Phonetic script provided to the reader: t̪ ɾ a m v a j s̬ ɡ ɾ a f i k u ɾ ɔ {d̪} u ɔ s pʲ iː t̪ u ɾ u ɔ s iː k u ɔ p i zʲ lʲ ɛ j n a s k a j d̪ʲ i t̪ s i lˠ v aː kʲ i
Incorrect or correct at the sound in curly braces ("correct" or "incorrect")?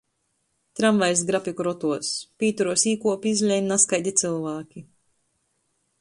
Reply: incorrect